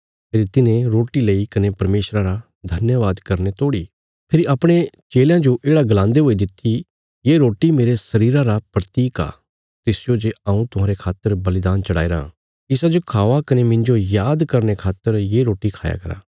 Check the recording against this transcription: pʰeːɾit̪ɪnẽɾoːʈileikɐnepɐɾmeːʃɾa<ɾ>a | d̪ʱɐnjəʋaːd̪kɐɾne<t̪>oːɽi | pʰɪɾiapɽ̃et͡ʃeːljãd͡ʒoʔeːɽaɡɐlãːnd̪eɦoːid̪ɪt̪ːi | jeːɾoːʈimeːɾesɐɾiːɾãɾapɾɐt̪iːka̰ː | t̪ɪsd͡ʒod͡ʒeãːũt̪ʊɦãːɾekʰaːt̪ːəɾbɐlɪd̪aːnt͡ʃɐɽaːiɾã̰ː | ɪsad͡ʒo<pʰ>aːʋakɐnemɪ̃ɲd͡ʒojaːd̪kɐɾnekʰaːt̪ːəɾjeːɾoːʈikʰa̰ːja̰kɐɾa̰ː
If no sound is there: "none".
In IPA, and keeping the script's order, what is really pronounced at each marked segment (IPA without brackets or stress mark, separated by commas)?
ɾ, t̪, kʰ